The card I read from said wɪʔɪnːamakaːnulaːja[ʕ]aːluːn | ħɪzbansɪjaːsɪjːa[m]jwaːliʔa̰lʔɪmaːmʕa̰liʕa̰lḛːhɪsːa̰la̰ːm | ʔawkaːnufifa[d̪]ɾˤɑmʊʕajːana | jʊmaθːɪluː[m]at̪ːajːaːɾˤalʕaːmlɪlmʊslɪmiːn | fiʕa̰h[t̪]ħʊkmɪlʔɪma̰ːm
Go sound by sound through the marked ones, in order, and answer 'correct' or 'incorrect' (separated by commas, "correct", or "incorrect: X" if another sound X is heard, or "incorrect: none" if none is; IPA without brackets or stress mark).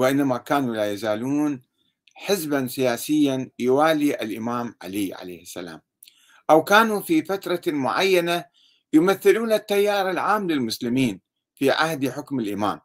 incorrect: z, incorrect: n, incorrect: t̪, incorrect: n, incorrect: d̪